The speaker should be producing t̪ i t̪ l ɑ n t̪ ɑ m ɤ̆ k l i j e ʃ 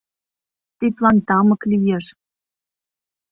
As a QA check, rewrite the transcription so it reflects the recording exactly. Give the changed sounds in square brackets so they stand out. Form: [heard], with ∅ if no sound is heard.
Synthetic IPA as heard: t̪ i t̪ l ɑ n t̪ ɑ m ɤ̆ k l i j e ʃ